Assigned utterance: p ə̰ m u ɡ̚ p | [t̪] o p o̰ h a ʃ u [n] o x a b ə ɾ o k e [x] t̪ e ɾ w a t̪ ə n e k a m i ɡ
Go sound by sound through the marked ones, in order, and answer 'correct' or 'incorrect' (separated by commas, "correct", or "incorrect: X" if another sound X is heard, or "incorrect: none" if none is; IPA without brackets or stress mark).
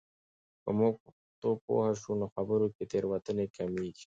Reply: correct, correct, incorrect: none